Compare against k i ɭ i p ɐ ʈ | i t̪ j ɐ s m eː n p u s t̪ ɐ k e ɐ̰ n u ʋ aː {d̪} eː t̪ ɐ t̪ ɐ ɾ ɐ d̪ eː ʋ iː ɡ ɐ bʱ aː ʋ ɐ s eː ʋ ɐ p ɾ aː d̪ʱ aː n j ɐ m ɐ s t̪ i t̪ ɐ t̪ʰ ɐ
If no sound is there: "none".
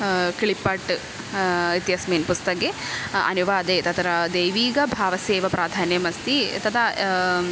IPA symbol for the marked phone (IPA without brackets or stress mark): d̪